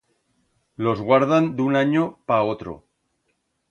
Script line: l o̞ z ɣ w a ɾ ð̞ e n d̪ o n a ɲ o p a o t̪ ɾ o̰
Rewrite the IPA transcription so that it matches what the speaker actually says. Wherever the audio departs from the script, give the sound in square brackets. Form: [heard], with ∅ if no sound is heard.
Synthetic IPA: l o̞ z ɣ w a ɾ ð̞ [a] n d̪ [u] n a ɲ o p a o t̪ ɾ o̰